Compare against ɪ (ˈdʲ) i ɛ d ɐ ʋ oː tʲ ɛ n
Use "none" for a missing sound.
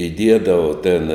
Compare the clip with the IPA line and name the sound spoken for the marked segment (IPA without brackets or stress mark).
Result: dʲ